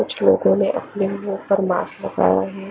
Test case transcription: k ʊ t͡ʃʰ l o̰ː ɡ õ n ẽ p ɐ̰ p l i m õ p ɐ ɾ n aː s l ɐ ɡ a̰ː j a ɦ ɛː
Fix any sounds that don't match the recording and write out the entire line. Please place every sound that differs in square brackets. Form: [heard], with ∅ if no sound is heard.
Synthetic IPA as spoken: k ʊ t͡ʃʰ l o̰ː ɡ õ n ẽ [ʔ] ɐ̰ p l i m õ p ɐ ɾ [m] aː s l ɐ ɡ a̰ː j a ɦ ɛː